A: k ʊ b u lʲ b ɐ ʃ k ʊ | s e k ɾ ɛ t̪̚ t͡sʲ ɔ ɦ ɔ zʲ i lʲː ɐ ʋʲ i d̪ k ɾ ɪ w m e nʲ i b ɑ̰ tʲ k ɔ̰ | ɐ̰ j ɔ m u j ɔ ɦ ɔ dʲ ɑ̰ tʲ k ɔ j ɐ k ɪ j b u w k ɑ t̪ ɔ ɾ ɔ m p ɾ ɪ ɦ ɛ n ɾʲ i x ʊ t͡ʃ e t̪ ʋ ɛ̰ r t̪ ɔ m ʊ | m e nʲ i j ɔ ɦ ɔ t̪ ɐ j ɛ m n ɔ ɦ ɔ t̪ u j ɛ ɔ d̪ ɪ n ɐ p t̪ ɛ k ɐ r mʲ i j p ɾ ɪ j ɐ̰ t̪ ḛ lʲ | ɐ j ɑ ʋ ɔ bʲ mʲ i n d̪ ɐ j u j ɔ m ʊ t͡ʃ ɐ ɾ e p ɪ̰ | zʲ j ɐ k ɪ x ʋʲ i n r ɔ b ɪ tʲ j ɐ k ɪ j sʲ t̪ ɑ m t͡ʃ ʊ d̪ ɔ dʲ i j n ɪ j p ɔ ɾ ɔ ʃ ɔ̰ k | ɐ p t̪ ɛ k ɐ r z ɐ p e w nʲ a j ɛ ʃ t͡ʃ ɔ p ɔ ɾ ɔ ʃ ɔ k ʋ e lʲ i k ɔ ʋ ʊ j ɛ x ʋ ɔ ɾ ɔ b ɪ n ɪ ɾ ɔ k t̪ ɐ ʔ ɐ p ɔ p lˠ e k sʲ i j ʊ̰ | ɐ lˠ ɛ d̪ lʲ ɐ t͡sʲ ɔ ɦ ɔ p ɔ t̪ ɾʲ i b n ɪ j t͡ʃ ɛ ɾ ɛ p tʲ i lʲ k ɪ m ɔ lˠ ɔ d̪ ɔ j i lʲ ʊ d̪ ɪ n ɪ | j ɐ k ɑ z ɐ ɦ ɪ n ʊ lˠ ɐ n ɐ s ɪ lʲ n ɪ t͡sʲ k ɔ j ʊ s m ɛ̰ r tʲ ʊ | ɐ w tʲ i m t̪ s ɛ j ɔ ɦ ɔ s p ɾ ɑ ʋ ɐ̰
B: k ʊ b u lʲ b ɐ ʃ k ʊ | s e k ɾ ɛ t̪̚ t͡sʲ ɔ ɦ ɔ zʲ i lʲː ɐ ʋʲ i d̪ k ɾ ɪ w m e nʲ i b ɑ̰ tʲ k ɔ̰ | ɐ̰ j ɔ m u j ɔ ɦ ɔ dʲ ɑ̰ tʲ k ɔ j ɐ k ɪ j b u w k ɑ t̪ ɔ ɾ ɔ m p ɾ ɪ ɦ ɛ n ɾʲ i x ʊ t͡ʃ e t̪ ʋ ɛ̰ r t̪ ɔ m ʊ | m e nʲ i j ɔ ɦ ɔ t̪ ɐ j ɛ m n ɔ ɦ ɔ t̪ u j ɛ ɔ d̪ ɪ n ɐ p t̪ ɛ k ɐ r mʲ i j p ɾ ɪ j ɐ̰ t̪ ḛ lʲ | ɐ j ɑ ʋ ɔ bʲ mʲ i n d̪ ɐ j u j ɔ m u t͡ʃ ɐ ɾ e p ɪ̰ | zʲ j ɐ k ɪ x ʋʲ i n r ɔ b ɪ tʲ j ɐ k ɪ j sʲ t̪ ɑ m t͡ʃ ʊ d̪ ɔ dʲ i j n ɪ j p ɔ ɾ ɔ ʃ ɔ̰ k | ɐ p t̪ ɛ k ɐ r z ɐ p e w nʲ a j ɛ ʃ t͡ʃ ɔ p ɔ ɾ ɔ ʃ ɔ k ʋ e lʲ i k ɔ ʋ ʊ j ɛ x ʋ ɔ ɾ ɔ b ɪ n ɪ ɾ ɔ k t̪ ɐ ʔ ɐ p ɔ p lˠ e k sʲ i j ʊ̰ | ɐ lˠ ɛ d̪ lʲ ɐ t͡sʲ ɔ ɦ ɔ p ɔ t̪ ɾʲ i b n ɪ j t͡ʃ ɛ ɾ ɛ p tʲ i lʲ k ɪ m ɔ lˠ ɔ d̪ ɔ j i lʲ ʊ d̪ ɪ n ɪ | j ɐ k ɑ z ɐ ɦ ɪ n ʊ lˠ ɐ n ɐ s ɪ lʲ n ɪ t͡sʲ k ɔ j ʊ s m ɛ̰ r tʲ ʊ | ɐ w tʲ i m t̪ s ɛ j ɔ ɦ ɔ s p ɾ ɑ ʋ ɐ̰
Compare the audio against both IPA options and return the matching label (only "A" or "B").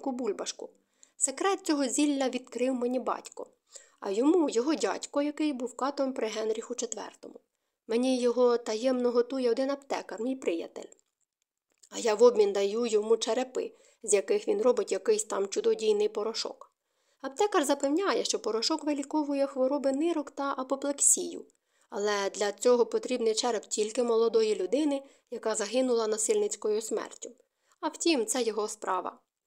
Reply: B